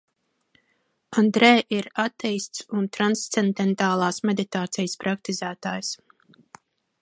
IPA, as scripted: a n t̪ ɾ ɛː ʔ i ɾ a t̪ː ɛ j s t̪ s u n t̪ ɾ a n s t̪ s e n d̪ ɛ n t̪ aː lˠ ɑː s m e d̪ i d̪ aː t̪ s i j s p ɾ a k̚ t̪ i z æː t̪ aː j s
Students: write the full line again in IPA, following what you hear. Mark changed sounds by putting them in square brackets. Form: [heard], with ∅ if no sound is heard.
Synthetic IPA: a n [d̪] ɾ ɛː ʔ i ɾ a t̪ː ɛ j s t̪ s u n t̪ ɾ a n s t̪ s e n d̪ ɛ n t̪ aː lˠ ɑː s m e d̪ i [t̪] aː t̪ s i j s p ɾ a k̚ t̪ i z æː t̪ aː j s

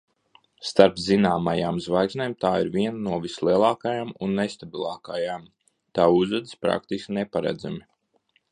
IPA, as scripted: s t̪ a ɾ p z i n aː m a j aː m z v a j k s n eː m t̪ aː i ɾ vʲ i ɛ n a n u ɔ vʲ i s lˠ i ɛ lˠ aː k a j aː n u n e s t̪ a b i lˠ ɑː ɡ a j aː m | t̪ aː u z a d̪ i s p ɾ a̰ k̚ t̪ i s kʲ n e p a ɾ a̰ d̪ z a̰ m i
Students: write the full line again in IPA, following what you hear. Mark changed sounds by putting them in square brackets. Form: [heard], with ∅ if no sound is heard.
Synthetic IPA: s t̪ a ɾ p z i n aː m a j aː m z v a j k s n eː m t̪ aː i ɾ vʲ i ɛ n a n u ɔ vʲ i s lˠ i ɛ lˠ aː k a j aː [m] u [nː] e s t̪ a b i lˠ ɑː [k] a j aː m | t̪ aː u z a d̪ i s p ɾ a̰ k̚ t̪ i s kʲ n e p a ɾ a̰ d̪ z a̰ m i

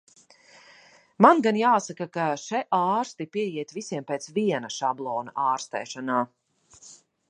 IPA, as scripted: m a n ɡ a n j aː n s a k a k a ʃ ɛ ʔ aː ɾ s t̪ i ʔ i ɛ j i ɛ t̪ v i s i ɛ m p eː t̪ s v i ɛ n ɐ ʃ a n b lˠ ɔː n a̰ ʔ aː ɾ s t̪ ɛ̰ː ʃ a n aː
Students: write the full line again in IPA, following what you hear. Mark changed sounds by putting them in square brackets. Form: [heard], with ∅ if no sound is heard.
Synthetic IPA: m a n ɡ a n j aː [∅] s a k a k a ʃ ɛ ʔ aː ɾ s t̪ i [p] i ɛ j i ɛ t̪ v i s i ɛ m p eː t̪ s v i ɛ n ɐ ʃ a [∅] b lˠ ɔː n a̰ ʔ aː ɾ s t̪ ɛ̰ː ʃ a n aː

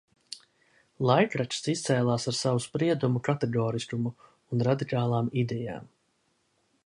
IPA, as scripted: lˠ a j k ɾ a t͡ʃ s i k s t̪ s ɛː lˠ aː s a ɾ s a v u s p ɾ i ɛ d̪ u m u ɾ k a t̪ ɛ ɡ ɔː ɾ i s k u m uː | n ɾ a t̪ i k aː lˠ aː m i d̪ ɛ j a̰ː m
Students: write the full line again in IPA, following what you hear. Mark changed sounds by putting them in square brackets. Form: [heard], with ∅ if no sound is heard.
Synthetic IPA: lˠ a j k ɾ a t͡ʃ s i [∅] s t̪ s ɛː lˠ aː s a ɾ s a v u s p ɾ i ɛ d̪ u m u [∅] k a t̪ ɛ ɡ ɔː ɾ i s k u m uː | n ɾ a [d̪] i k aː lˠ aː m i d̪ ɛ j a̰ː m

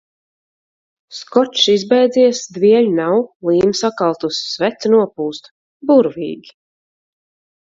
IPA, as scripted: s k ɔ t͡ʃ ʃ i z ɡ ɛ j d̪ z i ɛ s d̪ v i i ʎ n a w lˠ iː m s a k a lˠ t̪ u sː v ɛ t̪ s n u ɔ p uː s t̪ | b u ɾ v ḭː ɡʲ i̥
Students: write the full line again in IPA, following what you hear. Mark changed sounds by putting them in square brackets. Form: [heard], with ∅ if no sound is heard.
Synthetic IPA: s k ɔ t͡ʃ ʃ i z [b] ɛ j d̪ z i ɛ s d̪ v i [ɛ] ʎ n a w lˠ iː m s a k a lˠ t̪ u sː v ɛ t̪ s n u ɔ p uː s t̪ | b u ɾ v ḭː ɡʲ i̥

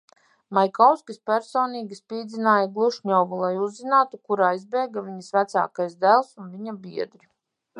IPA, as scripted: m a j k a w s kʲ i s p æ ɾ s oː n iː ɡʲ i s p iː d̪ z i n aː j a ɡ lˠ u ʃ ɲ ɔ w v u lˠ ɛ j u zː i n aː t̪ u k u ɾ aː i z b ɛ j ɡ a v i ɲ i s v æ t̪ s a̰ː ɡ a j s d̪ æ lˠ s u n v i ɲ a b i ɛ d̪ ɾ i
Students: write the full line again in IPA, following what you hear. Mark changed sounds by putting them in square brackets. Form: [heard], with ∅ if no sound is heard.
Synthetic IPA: m a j k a w s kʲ i s p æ ɾ s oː n iː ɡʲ i s p iː d̪ z i n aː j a ɡ lˠ u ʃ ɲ ɔ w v u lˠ [a] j u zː i n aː t̪ u k u ɾ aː i z b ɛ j ɡ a v i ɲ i s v æ t̪ s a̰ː [k] a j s d̪ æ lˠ s u n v i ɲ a b i ɛ d̪ ɾ i

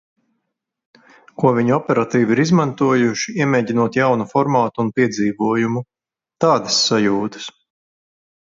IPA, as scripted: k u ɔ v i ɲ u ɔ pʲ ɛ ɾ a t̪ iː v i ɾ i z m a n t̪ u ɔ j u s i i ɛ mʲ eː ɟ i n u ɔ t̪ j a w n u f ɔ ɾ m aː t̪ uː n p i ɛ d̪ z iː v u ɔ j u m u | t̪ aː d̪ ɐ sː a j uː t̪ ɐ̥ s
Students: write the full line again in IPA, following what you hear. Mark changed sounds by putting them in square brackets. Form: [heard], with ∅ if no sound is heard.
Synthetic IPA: k u ɔ v i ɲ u ɔ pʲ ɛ ɾ a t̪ iː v i ɾ i z m a n t̪ u ɔ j u [ʃ] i i ɛ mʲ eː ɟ i n u ɔ t̪ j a w n u f ɔ ɾ m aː t̪ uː n p i ɛ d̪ z iː v u ɔ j u m u | t̪ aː d̪ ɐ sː a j uː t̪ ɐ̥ s

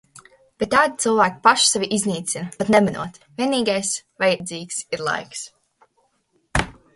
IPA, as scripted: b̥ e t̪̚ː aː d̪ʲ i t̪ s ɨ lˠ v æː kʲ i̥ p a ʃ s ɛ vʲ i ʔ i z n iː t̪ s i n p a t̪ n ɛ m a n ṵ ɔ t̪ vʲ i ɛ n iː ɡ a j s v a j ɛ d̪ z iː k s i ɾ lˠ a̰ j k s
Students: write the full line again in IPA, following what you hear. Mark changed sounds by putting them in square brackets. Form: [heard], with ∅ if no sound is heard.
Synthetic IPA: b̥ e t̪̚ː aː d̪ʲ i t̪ s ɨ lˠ v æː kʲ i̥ p a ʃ s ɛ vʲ i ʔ i z n iː t̪ s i n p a t̪ n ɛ m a n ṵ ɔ t̪ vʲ i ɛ n iː ɡ a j s v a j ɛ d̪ z iː k s i ɾ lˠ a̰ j k s

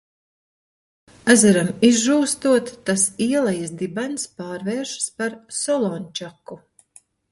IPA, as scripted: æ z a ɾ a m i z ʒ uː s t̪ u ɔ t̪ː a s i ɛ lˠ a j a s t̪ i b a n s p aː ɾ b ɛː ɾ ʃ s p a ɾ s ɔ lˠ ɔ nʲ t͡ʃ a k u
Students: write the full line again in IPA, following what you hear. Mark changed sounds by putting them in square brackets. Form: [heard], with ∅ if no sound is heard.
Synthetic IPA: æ z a ɾ a m i z ʒ uː s t̪ u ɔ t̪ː a s i ɛ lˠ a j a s [d̪] i b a n s p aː ɾ [v] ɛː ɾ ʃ s p a ɾ s ɔ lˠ ɔ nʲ t͡ʃ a k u

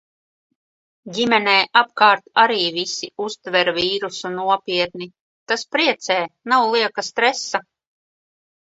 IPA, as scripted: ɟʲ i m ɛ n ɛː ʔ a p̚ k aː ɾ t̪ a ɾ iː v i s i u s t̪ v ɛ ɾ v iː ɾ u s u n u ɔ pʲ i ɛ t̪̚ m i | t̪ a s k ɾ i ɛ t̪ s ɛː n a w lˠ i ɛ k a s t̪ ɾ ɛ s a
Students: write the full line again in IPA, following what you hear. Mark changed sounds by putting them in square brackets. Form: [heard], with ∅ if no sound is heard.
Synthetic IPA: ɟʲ i m ɛ n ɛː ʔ a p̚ k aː ɾ t̪ a ɾ iː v i s i u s t̪ v ɛ ɾ v iː ɾ u s u n u ɔ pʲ i ɛ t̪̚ [n] i | t̪ a s [p] ɾ i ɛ t̪ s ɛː n a w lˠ i ɛ k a s t̪ ɾ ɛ s a

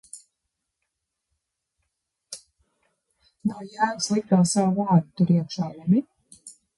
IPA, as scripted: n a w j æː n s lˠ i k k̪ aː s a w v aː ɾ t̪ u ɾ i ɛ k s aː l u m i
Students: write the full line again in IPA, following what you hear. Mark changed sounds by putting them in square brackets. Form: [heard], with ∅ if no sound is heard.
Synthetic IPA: n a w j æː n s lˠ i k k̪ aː s a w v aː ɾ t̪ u ɾ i ɛ k [ʃ] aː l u m i

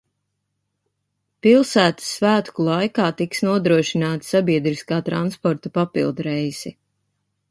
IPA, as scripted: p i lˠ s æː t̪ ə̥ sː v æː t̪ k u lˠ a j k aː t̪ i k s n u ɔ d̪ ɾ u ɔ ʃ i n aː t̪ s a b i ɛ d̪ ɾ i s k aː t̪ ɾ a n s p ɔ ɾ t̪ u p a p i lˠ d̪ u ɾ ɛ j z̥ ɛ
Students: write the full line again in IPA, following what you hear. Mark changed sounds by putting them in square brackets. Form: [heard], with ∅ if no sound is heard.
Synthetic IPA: p i lˠ s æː t̪ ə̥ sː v æː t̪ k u lˠ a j k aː t̪ i k s n u ɔ d̪ ɾ u ɔ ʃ i n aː t̪ s a b i ɛ d̪ ɾ i s k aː t̪ ɾ a n s p ɔ ɾ t̪ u p a p i lˠ d̪ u ɾ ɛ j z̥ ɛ

